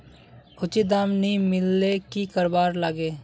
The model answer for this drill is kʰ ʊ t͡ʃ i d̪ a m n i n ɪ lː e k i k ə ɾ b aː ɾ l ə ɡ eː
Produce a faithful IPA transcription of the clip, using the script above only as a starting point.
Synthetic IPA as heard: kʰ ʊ t͡ʃ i d̪ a m n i m ɪ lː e k i k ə ɾ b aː ɾ l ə ɡ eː